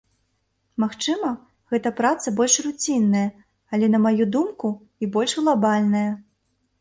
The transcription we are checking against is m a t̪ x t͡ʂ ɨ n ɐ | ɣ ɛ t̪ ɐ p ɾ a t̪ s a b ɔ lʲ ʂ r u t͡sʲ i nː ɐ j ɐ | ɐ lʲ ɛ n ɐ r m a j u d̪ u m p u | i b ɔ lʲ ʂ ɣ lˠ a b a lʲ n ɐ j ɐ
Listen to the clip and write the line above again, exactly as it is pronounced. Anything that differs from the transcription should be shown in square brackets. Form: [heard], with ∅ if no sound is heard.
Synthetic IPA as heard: m a [∅] x t͡ʂ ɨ [m] ɐ | ɣ ɛ t̪ ɐ p ɾ a t̪ s [ɐ] b ɔ lʲ ʂ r u t͡sʲ i nː ɐ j ɐ | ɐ lʲ ɛ n ɐ [∅] m a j u d̪ u m [k] u | i b ɔ lʲ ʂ ɣ lˠ a b a lʲ n ɐ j ɐ